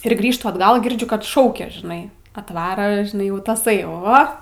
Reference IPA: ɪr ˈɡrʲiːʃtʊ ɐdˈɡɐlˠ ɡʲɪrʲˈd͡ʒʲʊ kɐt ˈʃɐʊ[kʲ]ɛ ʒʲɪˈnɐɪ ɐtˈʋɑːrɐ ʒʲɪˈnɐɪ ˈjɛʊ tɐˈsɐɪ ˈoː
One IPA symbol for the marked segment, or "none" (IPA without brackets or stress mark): kʲ